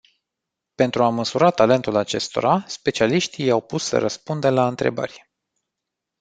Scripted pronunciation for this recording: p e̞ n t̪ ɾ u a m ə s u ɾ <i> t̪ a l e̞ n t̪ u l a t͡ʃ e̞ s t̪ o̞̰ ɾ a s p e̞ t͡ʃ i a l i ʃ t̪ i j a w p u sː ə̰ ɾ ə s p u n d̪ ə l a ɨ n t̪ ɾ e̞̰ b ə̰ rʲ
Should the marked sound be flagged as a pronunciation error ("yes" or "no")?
yes